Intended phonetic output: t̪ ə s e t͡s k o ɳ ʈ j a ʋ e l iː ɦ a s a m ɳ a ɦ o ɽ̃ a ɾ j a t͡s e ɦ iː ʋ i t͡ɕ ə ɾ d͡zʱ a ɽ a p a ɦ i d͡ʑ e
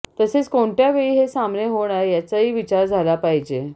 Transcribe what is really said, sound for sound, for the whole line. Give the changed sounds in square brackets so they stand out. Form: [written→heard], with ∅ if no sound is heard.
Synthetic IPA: t̪ ə s e t͡s k o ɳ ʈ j a ʋ e [l→ɭ] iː ɦ [a→e] s a m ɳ [a→e] ɦ o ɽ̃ a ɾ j a t͡s [e→a] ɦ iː ʋ i t͡ɕ [ə→a] ɾ d͡zʱ a [ɽ→l] a p a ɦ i d͡ʑ e